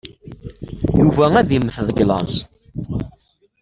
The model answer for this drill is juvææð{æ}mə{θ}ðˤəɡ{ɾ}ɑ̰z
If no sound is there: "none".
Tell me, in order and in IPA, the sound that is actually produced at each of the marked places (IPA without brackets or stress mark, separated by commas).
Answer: i, θ, l